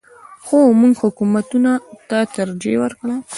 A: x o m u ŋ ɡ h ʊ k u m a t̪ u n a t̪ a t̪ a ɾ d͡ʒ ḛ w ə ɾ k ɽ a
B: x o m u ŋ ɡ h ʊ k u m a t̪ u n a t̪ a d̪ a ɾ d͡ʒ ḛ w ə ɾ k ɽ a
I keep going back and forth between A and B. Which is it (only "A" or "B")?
A